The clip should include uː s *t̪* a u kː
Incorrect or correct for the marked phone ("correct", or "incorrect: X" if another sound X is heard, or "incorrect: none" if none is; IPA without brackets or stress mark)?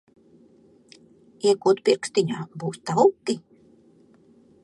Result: correct